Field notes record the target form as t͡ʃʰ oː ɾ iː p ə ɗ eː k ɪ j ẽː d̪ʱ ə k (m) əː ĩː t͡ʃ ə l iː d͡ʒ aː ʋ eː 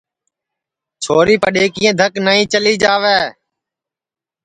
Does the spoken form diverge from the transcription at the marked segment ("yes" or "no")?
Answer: yes